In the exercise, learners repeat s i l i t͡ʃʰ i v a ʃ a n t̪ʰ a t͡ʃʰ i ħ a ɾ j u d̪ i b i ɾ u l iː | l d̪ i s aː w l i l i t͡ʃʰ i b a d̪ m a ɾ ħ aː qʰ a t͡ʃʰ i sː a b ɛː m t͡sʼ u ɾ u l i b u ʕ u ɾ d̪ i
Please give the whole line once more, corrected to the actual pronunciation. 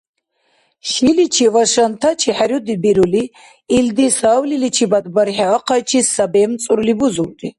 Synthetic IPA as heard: ʃ i l i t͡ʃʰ i v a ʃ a n t̪ʰ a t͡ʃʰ i ħ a ɾ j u d̪ i b i ɾ u l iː | l d̪ i s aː w l i l i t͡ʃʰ i b a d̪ b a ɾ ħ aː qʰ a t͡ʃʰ i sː a b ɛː m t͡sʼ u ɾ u l i b u z u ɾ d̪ i